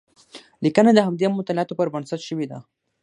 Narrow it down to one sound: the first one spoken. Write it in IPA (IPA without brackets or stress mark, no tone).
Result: l